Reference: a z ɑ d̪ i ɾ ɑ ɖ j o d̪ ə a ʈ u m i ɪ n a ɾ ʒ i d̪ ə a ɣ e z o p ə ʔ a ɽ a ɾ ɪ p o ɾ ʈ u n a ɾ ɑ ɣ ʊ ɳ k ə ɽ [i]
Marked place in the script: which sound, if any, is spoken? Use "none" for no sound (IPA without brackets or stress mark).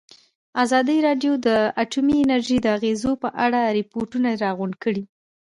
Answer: i